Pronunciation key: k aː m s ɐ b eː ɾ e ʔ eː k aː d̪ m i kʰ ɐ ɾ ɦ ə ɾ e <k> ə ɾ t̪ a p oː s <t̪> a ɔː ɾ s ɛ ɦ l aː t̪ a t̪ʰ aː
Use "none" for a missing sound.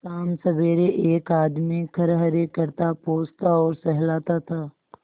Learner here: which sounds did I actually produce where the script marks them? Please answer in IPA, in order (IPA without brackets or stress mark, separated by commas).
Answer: k, t̪